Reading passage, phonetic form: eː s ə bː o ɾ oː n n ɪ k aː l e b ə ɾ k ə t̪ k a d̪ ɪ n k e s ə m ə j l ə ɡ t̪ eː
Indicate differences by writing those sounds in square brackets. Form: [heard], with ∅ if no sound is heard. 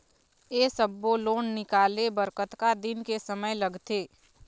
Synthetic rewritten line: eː s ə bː o [l] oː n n ɪ k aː l e b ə ɾ k ə t̪ k a d̪ ɪ n k e s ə m ə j l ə ɡ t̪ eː